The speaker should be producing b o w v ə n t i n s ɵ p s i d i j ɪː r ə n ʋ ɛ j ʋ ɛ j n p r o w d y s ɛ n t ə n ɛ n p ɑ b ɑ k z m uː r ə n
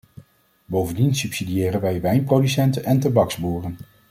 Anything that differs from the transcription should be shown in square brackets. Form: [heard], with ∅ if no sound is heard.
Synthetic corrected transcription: b o w v ə n [d] i n s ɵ p s i d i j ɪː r ə n ʋ ɛ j ʋ ɛ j n p r o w d y s ɛ n t ə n ɛ n [t] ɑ b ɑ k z [b] uː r ə n

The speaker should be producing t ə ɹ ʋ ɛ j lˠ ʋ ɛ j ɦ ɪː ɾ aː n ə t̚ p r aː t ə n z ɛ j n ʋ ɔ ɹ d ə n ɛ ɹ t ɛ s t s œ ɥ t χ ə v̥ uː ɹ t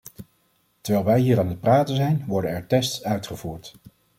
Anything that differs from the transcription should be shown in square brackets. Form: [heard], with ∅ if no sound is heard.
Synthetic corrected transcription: t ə ɹ ʋ ɛ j lˠ ʋ ɛ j ɦ [iː] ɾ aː n ə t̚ p r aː t ə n z ɛ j n ʋ ɔ ɹ d ə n ɛ ɹ t ɛ s t s œ ɥ t χ ə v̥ uː ɹ t

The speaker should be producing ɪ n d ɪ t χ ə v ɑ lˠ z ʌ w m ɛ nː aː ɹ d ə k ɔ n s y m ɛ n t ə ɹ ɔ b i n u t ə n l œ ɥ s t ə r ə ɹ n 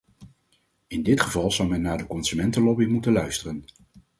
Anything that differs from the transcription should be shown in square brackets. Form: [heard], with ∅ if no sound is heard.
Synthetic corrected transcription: ɪ n d ɪ t χ ə v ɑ lˠ z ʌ w m ɛ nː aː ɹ d ə k ɔ n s y m ɛ n t ə [l] ɔ b i [m] u t ə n l œ ɥ s t ə r ə [∅] n

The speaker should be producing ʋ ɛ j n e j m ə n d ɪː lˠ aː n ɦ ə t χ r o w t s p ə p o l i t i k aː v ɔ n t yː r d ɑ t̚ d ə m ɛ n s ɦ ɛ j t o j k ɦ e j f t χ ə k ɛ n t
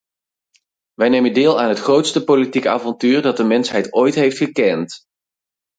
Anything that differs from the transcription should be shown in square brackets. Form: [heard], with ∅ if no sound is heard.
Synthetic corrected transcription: ʋ ɛ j n e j m ə n d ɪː lˠ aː n ɦ ə t χ r o w t s [t] ə p o l i t i k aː v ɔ n t yː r d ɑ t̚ d ə m ɛ n s ɦ ɛ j t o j [t] ɦ e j f t χ ə k ɛ n t

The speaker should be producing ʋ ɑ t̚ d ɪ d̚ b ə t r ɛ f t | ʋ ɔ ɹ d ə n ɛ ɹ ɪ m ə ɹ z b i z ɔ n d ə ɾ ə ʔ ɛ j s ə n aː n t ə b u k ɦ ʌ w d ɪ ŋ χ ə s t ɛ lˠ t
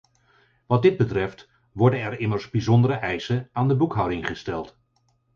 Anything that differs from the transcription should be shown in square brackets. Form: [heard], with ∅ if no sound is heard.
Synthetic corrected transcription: ʋ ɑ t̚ d ɪ d̚ b ə t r ɛ f t | ʋ ɔ ɹ d ə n ɛ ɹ ɪ m ə ɹ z b i z ɔ n d ə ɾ ə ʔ ɛ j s ə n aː n [d] ə b u k ɦ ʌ w d ɪ ŋ χ ə s t ɛ lˠ t

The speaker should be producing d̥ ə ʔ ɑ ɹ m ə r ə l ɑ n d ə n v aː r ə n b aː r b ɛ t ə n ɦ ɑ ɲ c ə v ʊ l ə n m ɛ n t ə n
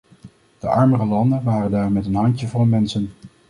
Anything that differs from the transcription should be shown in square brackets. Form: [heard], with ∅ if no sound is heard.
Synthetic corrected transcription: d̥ ə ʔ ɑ ɹ m ə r ə l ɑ n d ə n [ʋ] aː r ə n [d] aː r [m] ɛ t ə n ɦ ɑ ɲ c ə v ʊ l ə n m ɛ n [s] ə n

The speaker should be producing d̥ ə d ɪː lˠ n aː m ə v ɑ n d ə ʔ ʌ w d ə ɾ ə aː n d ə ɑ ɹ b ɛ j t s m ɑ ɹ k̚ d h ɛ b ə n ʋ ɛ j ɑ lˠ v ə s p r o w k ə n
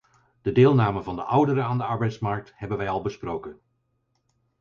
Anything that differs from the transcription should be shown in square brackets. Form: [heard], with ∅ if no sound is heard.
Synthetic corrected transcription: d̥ ə d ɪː lˠ n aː m ə v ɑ n d ə ʔ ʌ w d ə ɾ ə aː n d ə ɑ ɹ b ɛ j t s m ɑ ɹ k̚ [t] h ɛ b ə n ʋ ɛ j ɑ lˠ [b] ə s p r o w k ə n

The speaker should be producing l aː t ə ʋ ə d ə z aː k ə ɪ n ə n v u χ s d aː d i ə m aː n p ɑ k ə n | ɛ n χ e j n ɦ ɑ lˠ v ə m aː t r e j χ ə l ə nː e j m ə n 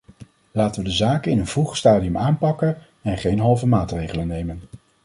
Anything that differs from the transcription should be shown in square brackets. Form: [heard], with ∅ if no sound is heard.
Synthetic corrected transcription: l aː t ə ʋ ə d ə z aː k ə ɪ n ə n v u χ s [t] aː d i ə m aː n p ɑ k ə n | ɛ n χ e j n ɦ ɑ lˠ v ə m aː t r e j χ ə l ə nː e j m ə n

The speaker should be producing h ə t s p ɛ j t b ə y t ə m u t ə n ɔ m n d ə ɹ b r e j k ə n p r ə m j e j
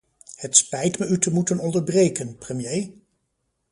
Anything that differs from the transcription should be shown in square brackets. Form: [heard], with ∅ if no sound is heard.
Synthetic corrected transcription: h ə t s p ɛ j t [m] ə y t ə m u t ə n ɔ [∅] n d ə ɹ b r e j k ə n p r ə m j e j

